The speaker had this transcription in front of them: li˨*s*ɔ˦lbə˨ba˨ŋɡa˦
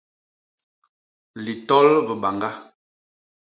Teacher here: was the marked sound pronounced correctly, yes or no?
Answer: no